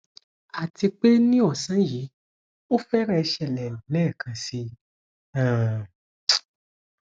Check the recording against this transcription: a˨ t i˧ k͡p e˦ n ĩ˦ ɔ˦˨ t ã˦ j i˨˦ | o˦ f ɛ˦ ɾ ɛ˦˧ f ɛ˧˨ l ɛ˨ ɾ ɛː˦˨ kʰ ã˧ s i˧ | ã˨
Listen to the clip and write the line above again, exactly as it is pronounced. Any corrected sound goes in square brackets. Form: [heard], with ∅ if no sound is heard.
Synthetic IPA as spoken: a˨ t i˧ k͡p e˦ n ĩ˦ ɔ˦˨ [s] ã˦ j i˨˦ | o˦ f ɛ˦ ɾ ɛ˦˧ [ʃ] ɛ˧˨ l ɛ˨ [l] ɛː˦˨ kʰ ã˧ s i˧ | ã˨